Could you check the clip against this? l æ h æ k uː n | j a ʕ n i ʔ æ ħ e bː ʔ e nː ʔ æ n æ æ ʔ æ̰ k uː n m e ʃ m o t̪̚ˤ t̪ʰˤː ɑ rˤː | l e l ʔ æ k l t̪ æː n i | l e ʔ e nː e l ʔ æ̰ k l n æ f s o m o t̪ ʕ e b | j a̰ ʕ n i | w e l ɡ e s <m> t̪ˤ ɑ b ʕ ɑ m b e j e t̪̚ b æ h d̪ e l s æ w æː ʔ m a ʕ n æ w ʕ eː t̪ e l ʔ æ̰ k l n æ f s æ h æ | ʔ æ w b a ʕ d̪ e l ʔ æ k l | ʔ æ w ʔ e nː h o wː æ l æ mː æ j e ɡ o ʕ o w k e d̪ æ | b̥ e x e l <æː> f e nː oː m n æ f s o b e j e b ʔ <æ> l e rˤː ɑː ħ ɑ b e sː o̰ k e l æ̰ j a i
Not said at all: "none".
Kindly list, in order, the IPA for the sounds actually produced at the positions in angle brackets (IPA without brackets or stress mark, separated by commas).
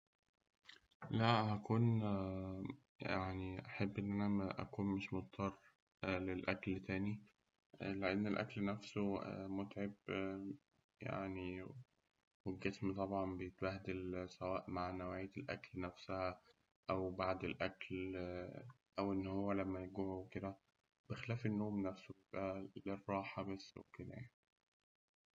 m, æː, æ